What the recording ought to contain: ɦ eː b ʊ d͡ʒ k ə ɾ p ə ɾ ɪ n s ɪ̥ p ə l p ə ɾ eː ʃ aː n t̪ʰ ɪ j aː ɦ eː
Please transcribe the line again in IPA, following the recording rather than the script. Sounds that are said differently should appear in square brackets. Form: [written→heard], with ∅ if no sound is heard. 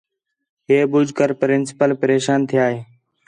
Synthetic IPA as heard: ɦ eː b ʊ d͡ʒ k ə ɾ p ə ɾ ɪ n s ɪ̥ p ə l p ə ɾ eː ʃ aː n t̪ʰ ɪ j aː ɦ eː

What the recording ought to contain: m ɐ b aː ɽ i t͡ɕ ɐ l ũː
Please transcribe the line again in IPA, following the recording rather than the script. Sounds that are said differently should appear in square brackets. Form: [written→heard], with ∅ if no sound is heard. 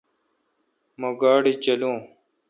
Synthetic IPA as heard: m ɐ [b→ɡ] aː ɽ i t͡ɕ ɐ l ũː

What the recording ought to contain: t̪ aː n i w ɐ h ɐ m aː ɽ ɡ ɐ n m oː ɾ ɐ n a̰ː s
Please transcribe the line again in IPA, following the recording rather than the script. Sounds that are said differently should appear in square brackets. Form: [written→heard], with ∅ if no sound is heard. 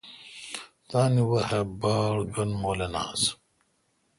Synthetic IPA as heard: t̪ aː n i w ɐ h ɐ [m→b] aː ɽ ɡ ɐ n m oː [ɾ→l] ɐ n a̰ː s

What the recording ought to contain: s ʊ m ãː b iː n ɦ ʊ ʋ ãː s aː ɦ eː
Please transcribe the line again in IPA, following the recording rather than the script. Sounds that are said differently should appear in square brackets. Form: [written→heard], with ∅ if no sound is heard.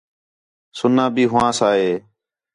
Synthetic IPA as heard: s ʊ [m→n] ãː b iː [n→∅] ɦ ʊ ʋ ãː s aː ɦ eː

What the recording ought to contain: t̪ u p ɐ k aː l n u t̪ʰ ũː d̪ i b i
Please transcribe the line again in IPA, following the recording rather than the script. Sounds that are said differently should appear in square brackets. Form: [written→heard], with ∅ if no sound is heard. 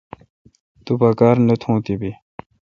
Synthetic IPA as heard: t̪ u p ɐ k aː [l→ɾ] n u t̪ʰ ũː [d̪→t̪] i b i

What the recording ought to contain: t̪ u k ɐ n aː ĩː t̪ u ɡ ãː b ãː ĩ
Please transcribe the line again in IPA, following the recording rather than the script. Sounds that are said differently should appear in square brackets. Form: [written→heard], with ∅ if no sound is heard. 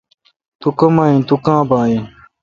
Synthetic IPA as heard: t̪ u k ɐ [n→m] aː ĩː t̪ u [ɡ→k] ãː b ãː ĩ

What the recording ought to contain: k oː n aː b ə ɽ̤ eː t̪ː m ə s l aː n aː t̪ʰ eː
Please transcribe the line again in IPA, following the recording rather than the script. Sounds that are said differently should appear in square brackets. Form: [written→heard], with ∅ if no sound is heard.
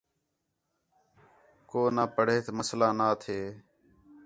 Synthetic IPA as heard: k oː n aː [b→p] ə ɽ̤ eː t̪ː m ə s l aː n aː t̪ʰ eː

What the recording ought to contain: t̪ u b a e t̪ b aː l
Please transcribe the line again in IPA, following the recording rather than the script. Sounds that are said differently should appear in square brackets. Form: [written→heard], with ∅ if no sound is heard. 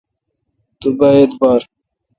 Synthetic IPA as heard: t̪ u b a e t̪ b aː [l→ɾ]

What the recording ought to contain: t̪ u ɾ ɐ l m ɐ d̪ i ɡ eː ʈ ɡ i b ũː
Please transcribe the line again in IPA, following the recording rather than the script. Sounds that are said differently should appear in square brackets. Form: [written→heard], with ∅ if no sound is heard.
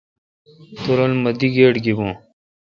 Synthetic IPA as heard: t̪ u ɾ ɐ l m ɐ d̪ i ɡ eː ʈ ɡ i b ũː

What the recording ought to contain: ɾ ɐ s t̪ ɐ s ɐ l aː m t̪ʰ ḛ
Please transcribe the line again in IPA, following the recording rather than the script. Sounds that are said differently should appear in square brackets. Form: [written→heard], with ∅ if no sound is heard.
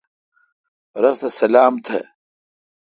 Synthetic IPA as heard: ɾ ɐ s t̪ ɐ s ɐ l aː m t̪ʰ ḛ

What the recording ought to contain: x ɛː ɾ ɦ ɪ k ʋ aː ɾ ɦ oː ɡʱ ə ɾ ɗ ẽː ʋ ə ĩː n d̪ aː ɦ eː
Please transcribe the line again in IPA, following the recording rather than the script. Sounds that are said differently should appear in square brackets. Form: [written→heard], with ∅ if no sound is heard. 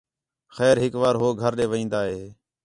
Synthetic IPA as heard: x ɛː ɾ ɦ ɪ k ʋ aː ɾ ɦ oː ɡʱ ə ɾ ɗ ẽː ʋ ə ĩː n d̪ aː ɦ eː

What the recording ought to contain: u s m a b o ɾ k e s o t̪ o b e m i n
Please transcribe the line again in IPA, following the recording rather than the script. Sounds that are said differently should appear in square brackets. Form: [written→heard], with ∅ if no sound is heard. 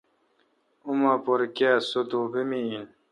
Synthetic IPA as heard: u [s→∅] m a [b→p] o ɾ k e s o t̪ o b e m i n

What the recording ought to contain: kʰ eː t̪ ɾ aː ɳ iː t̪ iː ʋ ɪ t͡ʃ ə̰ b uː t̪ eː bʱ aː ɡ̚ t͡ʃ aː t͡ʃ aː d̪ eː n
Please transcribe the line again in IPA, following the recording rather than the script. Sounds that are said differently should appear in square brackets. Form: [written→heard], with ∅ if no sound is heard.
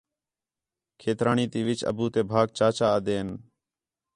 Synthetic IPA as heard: kʰ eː t̪ ɾ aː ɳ iː t̪ iː ʋ ɪ t͡ʃ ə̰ b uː t̪ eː bʱ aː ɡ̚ t͡ʃ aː t͡ʃ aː d̪ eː n

